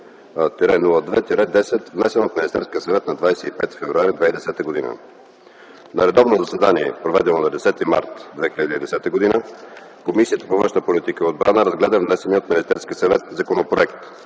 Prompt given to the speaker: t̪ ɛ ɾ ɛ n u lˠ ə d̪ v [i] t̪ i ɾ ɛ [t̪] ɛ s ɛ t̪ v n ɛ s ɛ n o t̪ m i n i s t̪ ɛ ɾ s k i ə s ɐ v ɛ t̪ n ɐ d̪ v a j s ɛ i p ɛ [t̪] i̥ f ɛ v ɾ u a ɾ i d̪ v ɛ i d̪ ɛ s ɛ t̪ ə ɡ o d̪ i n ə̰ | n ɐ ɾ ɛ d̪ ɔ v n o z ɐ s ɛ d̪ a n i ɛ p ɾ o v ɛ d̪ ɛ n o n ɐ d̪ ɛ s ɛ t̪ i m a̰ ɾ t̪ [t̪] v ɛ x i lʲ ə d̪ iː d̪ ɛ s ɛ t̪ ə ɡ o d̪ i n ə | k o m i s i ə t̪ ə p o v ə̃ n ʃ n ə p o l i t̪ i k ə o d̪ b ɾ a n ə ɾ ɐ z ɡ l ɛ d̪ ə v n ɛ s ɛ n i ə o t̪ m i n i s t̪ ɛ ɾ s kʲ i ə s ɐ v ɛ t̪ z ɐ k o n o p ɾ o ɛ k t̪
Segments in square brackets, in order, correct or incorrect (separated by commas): incorrect, incorrect, correct, incorrect